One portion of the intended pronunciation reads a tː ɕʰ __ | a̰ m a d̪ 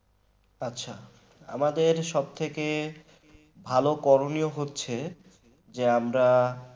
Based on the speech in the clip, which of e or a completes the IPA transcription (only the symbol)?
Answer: a